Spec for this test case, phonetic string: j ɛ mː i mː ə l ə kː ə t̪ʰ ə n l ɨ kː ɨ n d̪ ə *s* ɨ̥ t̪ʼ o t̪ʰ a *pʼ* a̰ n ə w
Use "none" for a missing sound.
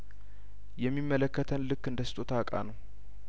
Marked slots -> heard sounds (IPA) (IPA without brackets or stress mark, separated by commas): s, kʼ